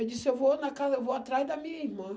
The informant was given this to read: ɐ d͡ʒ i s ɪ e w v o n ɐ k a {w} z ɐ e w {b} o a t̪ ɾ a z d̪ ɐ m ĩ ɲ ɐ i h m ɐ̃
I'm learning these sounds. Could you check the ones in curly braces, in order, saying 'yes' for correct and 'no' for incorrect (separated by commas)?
no, no